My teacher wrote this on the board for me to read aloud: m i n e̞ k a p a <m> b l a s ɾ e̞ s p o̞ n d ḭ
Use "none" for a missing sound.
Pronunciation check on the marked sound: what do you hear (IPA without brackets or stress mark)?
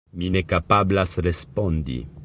none